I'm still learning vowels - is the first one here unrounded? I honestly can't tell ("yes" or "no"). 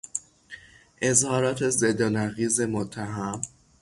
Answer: yes